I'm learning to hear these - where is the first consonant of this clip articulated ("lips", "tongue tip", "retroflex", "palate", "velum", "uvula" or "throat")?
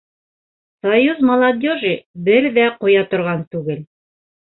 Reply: tongue tip